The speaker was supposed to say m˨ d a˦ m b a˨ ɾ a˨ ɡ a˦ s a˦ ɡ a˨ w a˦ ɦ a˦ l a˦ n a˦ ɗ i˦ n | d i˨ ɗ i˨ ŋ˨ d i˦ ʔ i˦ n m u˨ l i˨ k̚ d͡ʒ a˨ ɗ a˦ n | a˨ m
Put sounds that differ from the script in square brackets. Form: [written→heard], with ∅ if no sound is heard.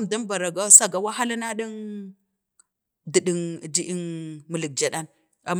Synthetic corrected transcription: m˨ d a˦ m b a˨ ɾ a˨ ɡ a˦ s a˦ ɡ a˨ w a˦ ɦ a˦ l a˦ n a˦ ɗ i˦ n | d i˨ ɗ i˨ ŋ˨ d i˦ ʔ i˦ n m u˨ l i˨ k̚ d͡ʒ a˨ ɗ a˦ n | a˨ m